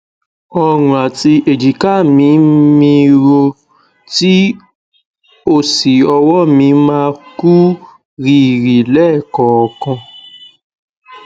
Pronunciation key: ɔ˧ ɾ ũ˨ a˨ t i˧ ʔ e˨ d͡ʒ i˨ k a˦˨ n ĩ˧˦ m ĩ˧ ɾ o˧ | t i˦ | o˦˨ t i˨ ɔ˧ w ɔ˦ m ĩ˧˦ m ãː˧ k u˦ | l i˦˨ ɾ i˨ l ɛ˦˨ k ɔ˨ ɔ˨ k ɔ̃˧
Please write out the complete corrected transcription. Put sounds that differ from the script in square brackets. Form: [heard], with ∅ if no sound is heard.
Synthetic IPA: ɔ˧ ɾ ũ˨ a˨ t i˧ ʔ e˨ d͡ʒ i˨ k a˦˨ [m] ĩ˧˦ m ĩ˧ ɾ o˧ | t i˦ | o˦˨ [s] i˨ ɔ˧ w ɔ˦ m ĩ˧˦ m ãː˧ k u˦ | [ɾ] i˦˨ ɾ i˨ l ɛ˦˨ k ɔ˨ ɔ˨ k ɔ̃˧